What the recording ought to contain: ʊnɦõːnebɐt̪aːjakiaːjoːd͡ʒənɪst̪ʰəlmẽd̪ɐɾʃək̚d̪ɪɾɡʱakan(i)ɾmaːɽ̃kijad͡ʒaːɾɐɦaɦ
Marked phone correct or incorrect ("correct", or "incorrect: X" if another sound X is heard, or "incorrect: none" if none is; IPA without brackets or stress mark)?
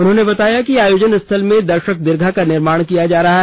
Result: incorrect: ɪ